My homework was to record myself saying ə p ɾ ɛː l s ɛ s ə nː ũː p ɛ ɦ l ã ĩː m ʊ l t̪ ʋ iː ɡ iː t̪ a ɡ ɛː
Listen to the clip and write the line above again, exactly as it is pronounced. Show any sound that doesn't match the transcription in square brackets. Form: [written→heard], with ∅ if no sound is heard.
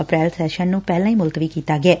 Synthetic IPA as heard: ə p ɾ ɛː l s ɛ [s→ʃ] ə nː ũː p ɛ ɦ l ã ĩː m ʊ l t̪ ʋ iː [ɡ→k] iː t̪ a ɡ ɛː